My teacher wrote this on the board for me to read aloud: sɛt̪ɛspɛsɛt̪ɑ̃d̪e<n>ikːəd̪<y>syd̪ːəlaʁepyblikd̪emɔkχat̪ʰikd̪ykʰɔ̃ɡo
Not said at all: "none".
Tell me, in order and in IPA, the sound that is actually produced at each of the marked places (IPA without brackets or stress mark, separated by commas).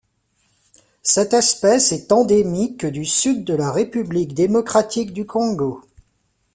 m, y